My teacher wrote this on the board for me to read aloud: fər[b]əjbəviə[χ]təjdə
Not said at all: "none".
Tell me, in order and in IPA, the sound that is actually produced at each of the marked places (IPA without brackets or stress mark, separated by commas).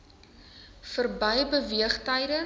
b, χ